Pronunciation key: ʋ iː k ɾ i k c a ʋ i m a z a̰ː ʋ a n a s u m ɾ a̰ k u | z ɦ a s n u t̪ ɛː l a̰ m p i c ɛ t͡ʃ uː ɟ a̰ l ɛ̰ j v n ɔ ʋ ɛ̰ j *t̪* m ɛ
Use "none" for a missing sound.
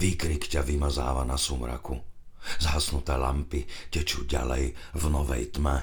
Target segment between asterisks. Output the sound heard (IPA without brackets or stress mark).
t̪